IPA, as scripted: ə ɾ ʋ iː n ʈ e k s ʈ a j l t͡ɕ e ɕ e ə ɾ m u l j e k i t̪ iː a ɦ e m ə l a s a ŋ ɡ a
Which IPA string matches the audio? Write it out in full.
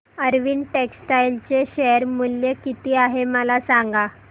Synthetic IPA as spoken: ə ɾ ʋ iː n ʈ e k s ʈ a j l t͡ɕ e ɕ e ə ɾ m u l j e k i t̪ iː a ɦ e m ə l a s a ŋ ɡ a